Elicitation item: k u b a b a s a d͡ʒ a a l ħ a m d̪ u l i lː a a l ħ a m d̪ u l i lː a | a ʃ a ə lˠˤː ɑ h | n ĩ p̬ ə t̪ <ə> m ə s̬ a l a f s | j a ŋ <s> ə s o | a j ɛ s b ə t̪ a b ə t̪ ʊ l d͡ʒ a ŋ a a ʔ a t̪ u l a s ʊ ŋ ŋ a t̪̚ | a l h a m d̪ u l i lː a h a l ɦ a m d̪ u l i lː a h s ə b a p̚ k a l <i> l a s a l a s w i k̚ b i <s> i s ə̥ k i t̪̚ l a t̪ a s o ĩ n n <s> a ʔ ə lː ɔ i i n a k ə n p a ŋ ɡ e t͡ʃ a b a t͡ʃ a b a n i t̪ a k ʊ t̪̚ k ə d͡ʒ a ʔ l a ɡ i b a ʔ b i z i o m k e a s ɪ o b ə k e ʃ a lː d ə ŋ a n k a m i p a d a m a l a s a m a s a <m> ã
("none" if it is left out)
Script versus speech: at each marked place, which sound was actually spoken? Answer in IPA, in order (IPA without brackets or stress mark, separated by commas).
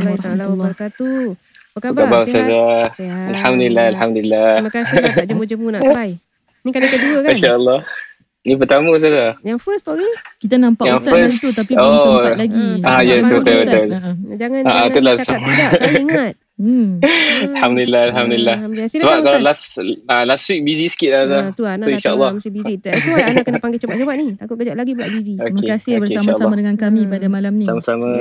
a, f, a, z, ʃ, m